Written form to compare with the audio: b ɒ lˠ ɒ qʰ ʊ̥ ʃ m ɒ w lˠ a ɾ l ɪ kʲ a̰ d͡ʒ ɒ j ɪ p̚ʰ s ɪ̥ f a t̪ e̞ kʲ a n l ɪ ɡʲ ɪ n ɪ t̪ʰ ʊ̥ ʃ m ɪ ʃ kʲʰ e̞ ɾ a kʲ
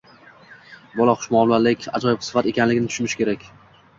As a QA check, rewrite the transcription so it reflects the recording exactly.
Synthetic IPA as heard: b ɒ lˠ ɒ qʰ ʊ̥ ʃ m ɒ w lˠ a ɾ l ɪ kʲ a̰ d͡ʒ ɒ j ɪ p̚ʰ s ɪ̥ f a t̪ e̞ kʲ a n l ɪ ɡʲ ɪ n ɪ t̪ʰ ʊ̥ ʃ m ɪ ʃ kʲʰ e̞ ɾ a kʲ